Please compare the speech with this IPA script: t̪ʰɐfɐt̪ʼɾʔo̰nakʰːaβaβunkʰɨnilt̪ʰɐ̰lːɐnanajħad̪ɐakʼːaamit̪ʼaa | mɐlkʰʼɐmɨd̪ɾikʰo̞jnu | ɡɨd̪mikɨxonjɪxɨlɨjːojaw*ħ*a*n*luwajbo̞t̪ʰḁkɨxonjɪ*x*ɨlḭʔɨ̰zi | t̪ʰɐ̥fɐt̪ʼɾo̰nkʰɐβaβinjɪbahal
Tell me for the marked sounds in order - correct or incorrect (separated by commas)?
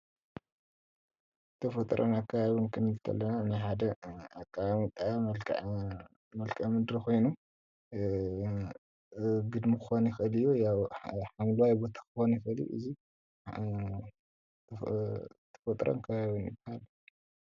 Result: correct, incorrect, correct